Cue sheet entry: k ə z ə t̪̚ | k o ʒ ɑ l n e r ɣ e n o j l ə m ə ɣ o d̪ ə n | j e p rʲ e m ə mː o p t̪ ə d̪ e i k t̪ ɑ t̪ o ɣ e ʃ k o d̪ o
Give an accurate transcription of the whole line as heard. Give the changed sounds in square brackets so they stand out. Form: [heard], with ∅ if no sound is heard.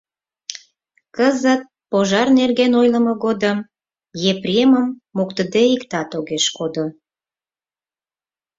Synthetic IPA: k ə z ə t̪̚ | [p] o ʒ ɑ [r] n e r ɣ e n o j l ə m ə ɣ o d̪ ə [m] | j e p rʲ e m ə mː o [k] t̪ ə d̪ e i k t̪ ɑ t̪ o ɣ e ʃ k o d̪ o